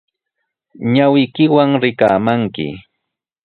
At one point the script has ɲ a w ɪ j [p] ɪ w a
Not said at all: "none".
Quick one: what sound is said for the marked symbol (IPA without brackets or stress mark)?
k